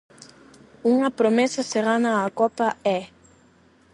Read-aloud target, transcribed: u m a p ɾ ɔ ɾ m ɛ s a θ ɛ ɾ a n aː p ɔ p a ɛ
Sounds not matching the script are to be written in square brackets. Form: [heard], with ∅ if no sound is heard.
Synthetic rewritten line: u [ŋ] a p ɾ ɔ [∅] m ɛ s a [s] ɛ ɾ a n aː [k] ɔ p a ɛ